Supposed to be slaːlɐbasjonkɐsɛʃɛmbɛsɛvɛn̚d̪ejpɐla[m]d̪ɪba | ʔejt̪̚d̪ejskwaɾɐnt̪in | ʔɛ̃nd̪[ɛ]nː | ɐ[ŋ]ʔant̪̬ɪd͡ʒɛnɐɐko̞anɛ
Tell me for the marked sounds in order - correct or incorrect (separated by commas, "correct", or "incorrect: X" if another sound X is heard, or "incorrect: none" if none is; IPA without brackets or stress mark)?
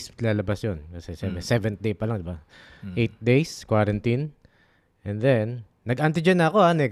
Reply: incorrect: ŋ, correct, incorrect: ɡ